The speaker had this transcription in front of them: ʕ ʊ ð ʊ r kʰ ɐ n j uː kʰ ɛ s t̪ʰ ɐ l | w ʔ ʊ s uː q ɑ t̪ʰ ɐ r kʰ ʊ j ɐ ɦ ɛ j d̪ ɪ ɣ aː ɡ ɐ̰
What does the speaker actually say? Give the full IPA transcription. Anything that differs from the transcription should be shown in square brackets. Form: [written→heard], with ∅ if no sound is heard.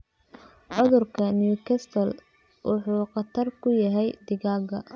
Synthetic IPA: ʕ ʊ ð ʊ r kʰ ɐ n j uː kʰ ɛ s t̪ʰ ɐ l | w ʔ ʊ [s→ħ] uː q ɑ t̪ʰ ɐ r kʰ ʊ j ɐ ɦ ɛ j d̪ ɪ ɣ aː ɡ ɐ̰

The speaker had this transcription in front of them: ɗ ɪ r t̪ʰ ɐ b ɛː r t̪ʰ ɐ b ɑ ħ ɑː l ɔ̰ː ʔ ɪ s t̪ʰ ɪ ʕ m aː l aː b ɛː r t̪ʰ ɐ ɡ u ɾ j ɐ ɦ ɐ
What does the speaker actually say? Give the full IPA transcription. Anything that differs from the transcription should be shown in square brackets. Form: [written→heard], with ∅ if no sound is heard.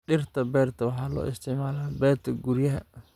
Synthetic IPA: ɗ ɪ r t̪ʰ ɐ b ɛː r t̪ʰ ɐ [b→w] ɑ ħ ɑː l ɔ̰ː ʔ ɪ s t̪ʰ ɪ ʕ m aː l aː b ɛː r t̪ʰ ɐ ɡ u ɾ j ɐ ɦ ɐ

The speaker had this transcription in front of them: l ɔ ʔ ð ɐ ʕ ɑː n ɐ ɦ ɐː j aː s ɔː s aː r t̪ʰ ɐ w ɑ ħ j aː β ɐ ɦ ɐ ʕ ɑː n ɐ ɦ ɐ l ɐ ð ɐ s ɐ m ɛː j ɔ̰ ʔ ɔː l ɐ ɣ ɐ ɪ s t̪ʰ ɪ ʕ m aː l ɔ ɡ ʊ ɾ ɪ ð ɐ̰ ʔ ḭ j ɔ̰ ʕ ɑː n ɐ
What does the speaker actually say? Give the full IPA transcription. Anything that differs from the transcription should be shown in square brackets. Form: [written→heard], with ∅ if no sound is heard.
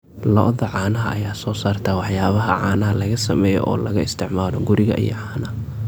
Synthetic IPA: l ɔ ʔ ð ɐ ʕ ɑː n ɐ ɦ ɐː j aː s ɔː s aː r t̪ʰ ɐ w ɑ ħ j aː β ɐ ɦ ɐ ʕ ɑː n ɐ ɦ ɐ l ɐ [ð→ɣ] ɐ s ɐ m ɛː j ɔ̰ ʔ ɔː l ɐ ɣ ɐ ɪ s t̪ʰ ɪ ʕ m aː l ɔ ɡ ʊ ɾ ɪ [ð→ɣ] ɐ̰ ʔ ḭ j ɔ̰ ʕ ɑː n ɐ

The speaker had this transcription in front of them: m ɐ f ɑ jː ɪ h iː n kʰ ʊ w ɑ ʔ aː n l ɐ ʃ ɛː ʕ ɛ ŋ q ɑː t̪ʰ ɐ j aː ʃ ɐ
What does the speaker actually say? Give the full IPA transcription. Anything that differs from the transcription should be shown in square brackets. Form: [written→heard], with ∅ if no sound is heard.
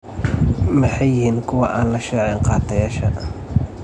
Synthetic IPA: m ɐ [f→ħ] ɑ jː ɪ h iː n kʰ ʊ w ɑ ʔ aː n l ɐ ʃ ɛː ʕ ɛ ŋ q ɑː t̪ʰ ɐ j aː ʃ ɐ

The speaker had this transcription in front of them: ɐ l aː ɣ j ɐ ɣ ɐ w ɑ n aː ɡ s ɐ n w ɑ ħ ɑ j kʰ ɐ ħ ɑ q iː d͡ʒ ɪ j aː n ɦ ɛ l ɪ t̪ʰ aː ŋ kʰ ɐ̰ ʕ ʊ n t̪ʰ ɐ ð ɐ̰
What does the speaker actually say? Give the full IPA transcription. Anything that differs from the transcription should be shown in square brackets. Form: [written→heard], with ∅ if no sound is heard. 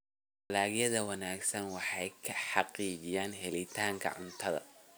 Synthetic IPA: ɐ l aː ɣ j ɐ [ɣ→ð] ɐ w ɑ n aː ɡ s ɐ n w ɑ ħ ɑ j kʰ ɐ ħ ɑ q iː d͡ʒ ɪ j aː n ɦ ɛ l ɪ t̪ʰ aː ŋ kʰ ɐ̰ ʕ ʊ n t̪ʰ ɐ ð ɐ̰

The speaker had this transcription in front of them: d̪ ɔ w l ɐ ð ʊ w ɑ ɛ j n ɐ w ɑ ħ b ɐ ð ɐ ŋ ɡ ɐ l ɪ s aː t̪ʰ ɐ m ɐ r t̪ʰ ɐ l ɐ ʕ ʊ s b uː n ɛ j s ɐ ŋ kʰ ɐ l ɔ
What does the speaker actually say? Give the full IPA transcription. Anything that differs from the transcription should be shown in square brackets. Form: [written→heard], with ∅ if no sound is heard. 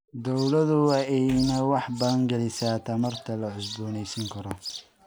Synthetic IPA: d̪ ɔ w l ɐ ð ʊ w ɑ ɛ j n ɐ w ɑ ħ b ɐ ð ɐ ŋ ɡ ɐ l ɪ s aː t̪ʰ ɐ m ɐ r t̪ʰ ɐ l ɐ ʕ ʊ s b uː n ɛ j s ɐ ŋ kʰ ɐ [l→ɾ] ɔ

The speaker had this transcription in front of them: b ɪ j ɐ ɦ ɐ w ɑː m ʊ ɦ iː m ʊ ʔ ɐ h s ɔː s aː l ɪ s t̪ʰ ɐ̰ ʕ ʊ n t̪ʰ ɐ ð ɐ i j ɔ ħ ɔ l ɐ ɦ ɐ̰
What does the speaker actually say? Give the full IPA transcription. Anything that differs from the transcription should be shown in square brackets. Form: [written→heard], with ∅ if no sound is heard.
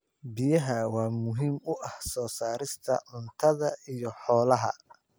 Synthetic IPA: b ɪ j ɐ ɦ ɐ w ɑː m ʊ ɦ iː m ʊ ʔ ɐ h s ɔː s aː [l→ɾ] ɪ s t̪ʰ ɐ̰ ʕ ʊ n t̪ʰ ɐ ð ɐ i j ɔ ħ [ɔ→ɔː] l ɐ ɦ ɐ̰

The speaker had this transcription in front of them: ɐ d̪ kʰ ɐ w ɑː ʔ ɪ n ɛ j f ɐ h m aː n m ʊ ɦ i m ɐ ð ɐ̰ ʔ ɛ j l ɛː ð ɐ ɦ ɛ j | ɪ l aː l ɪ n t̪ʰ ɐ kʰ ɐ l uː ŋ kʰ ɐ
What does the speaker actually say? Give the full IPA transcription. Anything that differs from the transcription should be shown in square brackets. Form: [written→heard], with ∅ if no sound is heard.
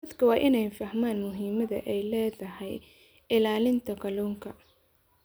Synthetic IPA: ɐ d̪ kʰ ɐ w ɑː ʔ ɪ n ɛ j f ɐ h m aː n m ʊ ɦ [i→iː] m ɐ ð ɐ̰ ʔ ɛ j l ɛː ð ɐ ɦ ɛ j | ɪ l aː l ɪ n t̪ʰ ɐ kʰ ɐ l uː ŋ kʰ ɐ

